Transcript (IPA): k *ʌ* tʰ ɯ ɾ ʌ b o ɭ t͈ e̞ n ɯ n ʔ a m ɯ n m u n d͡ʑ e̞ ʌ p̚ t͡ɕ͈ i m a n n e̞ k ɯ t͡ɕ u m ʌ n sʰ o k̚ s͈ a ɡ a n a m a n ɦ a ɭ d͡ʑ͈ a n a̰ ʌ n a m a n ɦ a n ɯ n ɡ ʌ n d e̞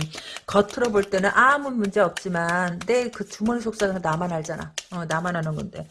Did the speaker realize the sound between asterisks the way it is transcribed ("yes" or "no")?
yes